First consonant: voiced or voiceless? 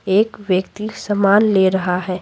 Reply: voiceless